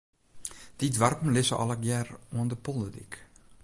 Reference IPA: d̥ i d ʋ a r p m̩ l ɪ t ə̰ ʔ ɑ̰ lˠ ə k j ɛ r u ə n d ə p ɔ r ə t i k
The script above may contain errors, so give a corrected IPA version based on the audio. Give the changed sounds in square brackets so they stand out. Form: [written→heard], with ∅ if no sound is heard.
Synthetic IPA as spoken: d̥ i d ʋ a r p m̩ l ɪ [t→s] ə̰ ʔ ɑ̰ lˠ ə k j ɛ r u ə n d ə p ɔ [r→l] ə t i k